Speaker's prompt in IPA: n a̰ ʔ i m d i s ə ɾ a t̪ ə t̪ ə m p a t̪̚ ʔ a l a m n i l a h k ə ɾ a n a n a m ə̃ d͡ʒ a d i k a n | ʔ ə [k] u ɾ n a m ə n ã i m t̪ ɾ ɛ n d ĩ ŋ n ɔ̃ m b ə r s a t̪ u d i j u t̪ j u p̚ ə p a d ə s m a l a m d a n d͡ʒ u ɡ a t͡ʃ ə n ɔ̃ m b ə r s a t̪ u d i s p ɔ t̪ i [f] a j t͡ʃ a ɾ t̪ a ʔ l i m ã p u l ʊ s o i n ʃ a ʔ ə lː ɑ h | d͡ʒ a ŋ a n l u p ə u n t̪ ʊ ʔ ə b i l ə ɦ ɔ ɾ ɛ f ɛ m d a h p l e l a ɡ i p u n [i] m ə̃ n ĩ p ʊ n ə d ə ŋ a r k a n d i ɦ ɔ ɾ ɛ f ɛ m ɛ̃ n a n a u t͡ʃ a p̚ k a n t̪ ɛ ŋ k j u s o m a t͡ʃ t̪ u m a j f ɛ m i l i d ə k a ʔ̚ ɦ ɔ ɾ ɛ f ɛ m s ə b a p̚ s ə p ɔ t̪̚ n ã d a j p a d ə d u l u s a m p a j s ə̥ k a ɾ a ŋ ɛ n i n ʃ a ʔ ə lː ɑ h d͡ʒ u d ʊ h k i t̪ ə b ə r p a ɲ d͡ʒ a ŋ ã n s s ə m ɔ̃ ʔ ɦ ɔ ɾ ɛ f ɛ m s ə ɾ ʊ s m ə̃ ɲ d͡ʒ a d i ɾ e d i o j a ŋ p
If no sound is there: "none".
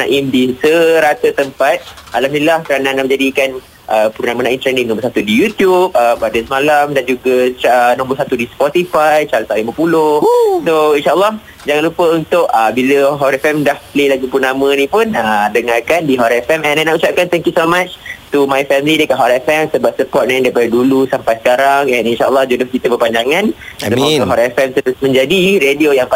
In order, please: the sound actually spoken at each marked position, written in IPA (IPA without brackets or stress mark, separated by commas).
p, f, a